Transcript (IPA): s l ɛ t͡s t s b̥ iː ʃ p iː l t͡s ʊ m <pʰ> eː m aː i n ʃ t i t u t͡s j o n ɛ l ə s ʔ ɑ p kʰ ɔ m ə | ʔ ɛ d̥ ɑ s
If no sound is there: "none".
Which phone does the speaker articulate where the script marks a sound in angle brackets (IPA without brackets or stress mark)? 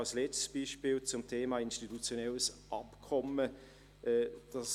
tʰ